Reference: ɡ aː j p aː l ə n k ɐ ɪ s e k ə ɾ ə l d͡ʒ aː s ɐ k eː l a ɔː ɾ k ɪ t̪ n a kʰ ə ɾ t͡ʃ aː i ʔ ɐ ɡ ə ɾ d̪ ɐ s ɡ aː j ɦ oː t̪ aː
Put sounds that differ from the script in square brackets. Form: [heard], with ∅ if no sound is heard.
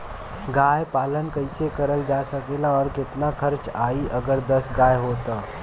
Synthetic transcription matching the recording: ɡ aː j p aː l ə n k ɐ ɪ s e k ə ɾ ə l d͡ʒ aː s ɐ k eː l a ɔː ɾ k ɪ t̪ n a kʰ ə ɾ t͡ʃ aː i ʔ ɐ ɡ ə ɾ d̪ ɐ s ɡ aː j ɦ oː t̪ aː